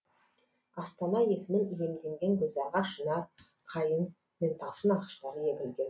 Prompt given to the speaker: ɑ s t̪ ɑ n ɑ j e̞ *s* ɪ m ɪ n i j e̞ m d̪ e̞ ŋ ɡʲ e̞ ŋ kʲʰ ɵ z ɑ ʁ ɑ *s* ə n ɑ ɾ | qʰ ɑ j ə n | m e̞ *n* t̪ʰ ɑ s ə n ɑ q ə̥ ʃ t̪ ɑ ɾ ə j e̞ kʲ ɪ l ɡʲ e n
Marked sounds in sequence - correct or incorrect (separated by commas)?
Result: correct, incorrect, correct